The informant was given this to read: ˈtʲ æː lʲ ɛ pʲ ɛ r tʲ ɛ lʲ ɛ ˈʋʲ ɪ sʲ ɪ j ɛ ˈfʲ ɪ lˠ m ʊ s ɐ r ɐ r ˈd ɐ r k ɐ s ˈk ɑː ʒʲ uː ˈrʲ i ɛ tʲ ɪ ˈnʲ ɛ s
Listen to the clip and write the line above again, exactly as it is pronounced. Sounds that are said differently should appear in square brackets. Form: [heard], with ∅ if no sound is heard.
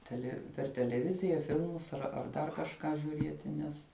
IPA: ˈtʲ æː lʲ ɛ pʲ ɛ r tʲ ɛ lʲ ɛ ˈʋʲ ɪ [zʲ] ɪ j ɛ ˈfʲ ɪ lˠ m ʊ s ɐ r ɐ r ˈd ɐ r k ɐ [ʃ] ˈk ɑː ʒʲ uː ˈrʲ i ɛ tʲ ɪ ˈnʲ ɛ s